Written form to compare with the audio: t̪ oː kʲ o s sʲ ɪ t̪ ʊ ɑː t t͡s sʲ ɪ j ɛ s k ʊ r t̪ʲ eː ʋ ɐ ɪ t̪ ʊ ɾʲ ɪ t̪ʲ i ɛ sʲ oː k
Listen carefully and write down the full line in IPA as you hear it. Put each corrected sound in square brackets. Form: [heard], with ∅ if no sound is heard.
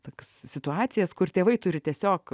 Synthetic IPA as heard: t̪ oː kʲ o s sʲ ɪ t̪ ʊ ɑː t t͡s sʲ ɪ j ɛ s k ʊ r t̪ʲ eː ʋ ɐ ɪ t̪ ʊ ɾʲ ɪ t̪ʲ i ɛ sʲ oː k

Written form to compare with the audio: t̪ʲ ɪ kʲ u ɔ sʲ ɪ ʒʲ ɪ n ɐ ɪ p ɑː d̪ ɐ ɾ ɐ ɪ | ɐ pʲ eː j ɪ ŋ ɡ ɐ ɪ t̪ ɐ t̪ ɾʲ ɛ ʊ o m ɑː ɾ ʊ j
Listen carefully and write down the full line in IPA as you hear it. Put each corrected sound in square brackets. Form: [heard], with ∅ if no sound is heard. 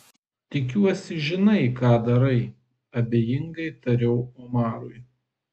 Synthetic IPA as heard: t̪ʲ ɪ kʲ u ɔ sʲ ɪ ʒʲ ɪ n ɐ ɪ [k] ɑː d̪ ɐ ɾ ɐ ɪ | ɐ [bʲ] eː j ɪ ŋ ɡ ɐ ɪ t̪ ɐ [∅] ɾʲ ɛ ʊ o m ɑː ɾ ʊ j

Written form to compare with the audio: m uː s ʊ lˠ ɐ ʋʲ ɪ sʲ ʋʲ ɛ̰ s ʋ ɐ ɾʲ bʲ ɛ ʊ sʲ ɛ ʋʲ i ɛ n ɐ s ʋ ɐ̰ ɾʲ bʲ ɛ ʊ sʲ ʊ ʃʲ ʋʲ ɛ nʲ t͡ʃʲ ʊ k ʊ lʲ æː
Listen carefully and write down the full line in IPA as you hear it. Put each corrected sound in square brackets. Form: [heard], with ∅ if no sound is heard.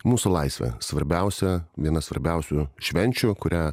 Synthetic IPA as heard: m uː s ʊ lˠ ɐ [∅] ɪ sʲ ʋʲ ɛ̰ s ʋ ɐ ɾʲ bʲ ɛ ʊ sʲ ɛ ʋʲ i ɛ n ɐ s ʋ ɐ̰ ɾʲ bʲ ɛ ʊ sʲ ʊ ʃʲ ʋʲ ɛ nʲ t͡ʃʲ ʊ k ʊ [ɾʲ] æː

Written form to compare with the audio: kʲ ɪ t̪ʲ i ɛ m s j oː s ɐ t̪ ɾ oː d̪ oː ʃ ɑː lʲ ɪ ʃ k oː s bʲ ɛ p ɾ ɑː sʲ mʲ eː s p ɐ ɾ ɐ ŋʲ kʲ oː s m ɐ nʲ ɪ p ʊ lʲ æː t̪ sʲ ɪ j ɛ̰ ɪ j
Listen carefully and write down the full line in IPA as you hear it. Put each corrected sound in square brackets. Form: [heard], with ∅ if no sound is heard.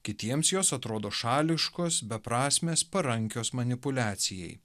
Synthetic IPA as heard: kʲ ɪ t̪ʲ i ɛ m s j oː s ɐ t̪ ɾ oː d̪ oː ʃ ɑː lʲ ɪ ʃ k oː s bʲ ɛ p ɾ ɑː sʲ mʲ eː s p ɐ ɾ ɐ ŋʲ kʲ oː s m ɐ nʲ ɪ p ʊ lʲ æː t̪ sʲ ɪ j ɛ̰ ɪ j

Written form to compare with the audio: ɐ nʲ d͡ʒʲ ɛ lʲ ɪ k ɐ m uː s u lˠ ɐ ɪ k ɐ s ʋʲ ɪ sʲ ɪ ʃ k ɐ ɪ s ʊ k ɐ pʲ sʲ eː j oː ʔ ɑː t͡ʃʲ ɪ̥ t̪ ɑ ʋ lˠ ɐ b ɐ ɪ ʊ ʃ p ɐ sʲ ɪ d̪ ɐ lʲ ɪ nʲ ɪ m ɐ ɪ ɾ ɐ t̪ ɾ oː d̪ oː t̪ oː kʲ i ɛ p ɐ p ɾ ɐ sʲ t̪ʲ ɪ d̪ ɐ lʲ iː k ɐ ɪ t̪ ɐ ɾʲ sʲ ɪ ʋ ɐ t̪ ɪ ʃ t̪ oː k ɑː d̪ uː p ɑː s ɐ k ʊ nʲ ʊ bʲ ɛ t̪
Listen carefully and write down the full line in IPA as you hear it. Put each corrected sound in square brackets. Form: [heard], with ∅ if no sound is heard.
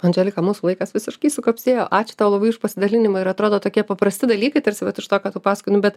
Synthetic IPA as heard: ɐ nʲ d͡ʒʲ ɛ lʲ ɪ k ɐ m uː s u lˠ ɐ ɪ k ɐ s ʋʲ ɪ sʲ ɪ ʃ k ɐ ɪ s ʊ k ɐ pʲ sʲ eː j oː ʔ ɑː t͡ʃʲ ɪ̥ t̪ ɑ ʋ lˠ ɐ b ɐ ɪ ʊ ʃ p ɐ sʲ ɪ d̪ ɐ lʲ ɪ nʲ ɪ m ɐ ɪ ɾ ɐ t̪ ɾ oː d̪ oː t̪ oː kʲ i ɛ p ɐ p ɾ ɐ sʲ t̪ʲ ɪ d̪ ɐ lʲ iː k ɐ ɪ t̪ ɐ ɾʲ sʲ ɪ ʋ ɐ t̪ ɪ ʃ t̪ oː k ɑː [t̪] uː p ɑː s ɐ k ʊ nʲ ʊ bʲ ɛ t̪

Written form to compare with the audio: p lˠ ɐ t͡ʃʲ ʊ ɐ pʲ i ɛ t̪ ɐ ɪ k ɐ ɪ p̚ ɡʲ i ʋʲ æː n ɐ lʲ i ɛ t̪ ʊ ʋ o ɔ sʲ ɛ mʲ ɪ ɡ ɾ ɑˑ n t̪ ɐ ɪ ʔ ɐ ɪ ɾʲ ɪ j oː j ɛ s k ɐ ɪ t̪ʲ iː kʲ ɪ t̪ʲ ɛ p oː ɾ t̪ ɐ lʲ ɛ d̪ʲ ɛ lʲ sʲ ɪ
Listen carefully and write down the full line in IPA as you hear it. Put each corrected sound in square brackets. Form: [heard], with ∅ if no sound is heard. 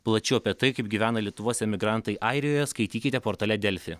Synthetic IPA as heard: p lˠ ɐ t͡ʃʲ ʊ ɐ pʲ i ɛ t̪ ɐ ɪ k ɐ ɪ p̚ ɡʲ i ʋʲ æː n ɐ lʲ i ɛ t̪ ʊ ʋ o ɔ sʲ ɛ mʲ ɪ ɡ ɾ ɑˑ n t̪ ɐ ɪ ʔ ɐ ɪ ɾʲ ɪ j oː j ɛ s k ɐ ɪ t̪ʲ iː kʲ ɪ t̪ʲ ɛ p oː ɾ t̪ ɐ lʲ ɛ d̪ʲ ɛ lʲ [fʲ] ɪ

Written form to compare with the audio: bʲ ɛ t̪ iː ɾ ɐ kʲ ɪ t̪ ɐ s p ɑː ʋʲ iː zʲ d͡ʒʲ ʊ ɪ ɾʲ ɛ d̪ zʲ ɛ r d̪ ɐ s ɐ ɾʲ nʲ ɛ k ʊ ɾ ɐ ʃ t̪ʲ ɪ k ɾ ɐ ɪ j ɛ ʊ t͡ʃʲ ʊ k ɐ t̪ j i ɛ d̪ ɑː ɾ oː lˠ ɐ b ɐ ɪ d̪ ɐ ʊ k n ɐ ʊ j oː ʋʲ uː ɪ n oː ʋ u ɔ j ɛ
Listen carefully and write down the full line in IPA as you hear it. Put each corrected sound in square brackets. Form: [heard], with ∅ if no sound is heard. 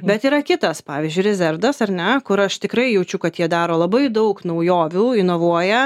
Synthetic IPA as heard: bʲ ɛ t̪ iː ɾ ɐ kʲ ɪ t̪ ɐ s p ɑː ʋʲ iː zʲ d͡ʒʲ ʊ ɪ ɾʲ ɛ [∅] zʲ ɛ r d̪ ɐ s ɐ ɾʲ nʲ ɛ k ʊ ɾ ɐ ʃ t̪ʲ ɪ k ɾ ɐ ɪ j ɛ ʊ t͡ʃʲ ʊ k ɐ t̪ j i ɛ d̪ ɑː ɾ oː lˠ ɐ b ɐ ɪ d̪ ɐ ʊ k n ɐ ʊ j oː ʋʲ uː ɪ n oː ʋ u ɔ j ɛ

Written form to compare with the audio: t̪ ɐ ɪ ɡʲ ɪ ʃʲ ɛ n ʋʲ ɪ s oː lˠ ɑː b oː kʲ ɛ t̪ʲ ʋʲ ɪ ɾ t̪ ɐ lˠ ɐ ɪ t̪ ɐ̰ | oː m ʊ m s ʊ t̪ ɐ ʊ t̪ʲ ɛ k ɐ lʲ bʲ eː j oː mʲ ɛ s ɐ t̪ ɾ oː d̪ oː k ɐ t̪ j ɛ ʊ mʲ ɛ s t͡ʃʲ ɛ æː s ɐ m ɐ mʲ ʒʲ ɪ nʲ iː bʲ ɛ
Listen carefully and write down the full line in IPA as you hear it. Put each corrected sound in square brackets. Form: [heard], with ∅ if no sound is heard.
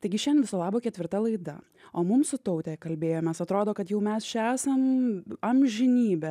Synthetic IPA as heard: t̪ ɐ ɪ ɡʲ ɪ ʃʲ ɛ n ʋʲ ɪ s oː lˠ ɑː b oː kʲ ɛ t̪ʲ ʋʲ ɪ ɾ t̪ ɐ lˠ ɐ ɪ [d̪] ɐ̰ | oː m ʊ m s ʊ t̪ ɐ ʊ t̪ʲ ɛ k ɐ lʲ bʲ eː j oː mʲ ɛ s ɐ t̪ ɾ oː d̪ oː k ɐ t̪ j ɛ ʊ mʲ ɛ s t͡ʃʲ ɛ æː s ɐ m ɐ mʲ ʒʲ ɪ nʲ iː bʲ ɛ

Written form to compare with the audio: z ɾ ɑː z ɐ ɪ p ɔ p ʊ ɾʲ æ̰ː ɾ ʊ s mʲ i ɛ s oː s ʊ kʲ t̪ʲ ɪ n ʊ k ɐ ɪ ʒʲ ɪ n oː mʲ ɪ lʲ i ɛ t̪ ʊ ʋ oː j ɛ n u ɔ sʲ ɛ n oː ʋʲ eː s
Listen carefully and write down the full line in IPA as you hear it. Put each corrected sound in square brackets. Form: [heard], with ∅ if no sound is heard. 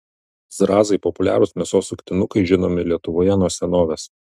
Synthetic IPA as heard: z ɾ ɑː z ɐ ɪ p ɔ p ʊ [lʲ] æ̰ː ɾ ʊ s mʲ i ɛ s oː s ʊ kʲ t̪ʲ ɪ n ʊ k ɐ ɪ ʒʲ ɪ n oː mʲ ɪ lʲ i ɛ t̪ ʊ ʋ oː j ɛ n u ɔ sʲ ɛ n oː ʋʲ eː s

